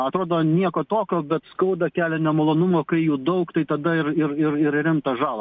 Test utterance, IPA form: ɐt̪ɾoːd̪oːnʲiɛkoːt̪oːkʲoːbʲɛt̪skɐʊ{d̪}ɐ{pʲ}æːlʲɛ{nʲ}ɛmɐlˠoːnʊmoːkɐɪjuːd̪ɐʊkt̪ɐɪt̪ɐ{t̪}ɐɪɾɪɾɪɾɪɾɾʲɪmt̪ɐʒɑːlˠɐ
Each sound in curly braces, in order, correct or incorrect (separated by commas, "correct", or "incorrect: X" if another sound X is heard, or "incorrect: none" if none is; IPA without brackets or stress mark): correct, incorrect: kʲ, correct, incorrect: d̪